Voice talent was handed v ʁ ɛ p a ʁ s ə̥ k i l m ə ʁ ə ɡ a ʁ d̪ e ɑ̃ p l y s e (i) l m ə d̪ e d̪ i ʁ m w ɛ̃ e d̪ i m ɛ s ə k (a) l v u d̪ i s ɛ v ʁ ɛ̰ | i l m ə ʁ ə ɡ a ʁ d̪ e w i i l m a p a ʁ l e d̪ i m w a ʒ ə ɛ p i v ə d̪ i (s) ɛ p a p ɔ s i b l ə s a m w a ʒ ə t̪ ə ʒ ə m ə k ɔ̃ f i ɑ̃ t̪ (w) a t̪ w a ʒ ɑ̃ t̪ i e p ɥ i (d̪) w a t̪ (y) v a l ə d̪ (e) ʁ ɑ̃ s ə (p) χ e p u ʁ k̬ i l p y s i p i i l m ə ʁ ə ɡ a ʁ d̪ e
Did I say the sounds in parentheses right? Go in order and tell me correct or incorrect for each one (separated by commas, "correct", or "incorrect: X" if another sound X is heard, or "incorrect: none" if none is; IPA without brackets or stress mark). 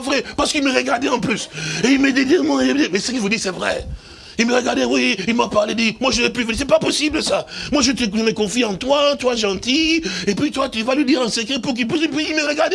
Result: correct, incorrect: i, correct, correct, incorrect: t̪, correct, incorrect: i, incorrect: k